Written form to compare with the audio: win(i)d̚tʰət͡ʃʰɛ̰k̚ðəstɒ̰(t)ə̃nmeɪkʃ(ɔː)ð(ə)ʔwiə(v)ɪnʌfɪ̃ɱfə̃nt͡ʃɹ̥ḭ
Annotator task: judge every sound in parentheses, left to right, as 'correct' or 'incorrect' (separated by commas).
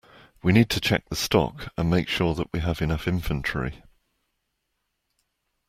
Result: incorrect, incorrect, correct, correct, correct